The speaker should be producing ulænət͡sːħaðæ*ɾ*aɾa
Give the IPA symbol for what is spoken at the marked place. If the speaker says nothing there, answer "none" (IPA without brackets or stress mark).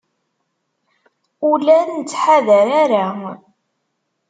ɾ